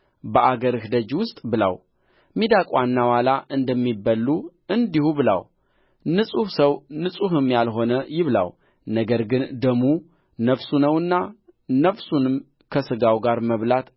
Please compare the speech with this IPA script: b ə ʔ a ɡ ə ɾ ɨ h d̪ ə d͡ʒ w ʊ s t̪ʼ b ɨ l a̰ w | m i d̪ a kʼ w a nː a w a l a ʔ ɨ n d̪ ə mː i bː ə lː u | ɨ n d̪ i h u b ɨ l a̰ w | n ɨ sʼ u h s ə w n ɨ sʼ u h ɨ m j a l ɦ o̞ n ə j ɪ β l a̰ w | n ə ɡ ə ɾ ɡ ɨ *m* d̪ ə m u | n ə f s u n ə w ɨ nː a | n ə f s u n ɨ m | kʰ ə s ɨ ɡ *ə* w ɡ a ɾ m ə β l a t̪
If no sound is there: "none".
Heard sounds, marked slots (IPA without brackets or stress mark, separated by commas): n, a